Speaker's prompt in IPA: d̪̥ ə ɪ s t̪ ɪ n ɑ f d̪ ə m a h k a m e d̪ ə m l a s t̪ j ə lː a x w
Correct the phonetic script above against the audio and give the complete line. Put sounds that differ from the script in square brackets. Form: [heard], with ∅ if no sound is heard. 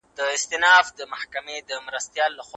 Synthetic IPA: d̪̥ ə ɪ s t̪ ɪ n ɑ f d̪ ə m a h k a m e d̪ ə m [ɾ] a s t̪ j [ɑ] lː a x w